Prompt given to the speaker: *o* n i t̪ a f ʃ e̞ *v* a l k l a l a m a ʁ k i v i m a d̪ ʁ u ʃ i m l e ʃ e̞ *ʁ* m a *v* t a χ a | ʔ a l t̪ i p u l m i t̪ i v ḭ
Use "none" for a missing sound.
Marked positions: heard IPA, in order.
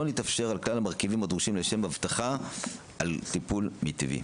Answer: o, ʁ, none, v

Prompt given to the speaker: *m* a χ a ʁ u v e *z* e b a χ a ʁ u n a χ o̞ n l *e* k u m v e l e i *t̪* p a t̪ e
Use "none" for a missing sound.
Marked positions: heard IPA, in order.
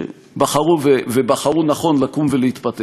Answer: b, v, a, t̪

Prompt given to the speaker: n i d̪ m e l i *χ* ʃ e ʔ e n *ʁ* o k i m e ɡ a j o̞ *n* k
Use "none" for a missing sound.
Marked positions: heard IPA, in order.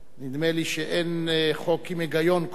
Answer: none, χ, n

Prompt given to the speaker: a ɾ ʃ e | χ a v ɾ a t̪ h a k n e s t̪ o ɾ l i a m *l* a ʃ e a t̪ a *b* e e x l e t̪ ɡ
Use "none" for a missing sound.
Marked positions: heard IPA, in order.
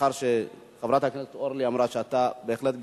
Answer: ɾ, b

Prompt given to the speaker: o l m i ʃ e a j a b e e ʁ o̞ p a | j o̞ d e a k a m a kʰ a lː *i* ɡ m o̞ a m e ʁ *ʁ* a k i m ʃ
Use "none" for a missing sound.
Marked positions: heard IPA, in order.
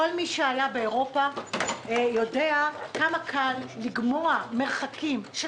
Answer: i, χ

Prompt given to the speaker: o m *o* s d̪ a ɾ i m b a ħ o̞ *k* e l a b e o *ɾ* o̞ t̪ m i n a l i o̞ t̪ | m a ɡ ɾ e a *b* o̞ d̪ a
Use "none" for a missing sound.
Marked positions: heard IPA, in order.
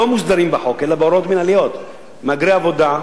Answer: u, k, ɾ, v

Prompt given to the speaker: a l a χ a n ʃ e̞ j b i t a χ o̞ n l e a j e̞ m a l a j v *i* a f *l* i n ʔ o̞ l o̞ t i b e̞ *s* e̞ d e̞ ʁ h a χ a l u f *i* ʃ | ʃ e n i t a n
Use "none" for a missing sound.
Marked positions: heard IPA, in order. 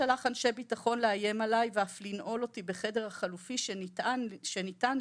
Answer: e, l, χ, i

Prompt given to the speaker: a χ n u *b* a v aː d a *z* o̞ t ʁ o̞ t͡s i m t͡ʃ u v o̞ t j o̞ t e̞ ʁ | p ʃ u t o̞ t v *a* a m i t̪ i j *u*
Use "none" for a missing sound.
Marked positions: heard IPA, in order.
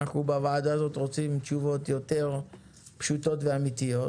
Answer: b, z, e, o

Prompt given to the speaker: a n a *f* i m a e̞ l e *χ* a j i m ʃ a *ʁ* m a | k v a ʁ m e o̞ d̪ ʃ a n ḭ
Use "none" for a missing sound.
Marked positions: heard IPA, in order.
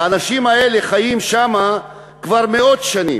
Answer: ʃ, χ, none

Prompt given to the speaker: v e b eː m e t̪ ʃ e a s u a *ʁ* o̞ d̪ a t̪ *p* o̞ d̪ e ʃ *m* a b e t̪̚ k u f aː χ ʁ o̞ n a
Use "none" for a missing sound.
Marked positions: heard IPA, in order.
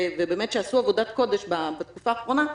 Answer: v, k, b

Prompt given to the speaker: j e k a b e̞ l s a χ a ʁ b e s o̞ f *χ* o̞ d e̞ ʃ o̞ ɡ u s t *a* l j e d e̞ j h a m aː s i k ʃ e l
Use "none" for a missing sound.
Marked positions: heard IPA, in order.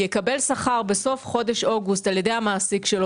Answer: χ, a

